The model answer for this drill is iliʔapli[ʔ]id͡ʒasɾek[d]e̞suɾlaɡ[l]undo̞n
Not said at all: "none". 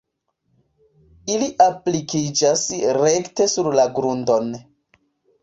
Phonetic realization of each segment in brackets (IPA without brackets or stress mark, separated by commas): k, t, ɾ